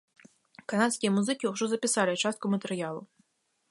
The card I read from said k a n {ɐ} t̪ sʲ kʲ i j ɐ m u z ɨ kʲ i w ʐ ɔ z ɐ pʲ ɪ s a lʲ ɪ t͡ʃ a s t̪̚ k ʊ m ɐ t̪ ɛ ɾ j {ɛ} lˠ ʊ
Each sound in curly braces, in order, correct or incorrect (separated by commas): incorrect, incorrect